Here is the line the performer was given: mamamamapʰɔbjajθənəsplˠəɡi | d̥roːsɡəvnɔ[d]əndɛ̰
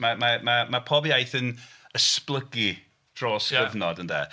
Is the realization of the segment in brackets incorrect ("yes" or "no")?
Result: no